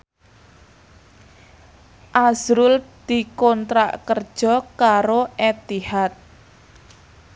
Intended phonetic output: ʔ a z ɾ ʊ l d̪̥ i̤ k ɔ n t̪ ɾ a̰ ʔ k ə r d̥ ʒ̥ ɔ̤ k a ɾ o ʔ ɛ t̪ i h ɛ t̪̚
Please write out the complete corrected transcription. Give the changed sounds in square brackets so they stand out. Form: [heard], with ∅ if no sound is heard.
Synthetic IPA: ʔ a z ɾ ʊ l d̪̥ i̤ k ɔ n t̪ ɾ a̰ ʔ k ə r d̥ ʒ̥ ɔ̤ k a ɾ o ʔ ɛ t̪ i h [a] t̪̚